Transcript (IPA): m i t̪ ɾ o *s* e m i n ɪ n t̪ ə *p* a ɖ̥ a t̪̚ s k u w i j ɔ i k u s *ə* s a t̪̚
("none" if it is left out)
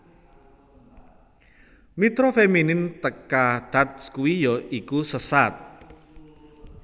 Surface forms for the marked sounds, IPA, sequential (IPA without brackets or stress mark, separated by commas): f, k, ə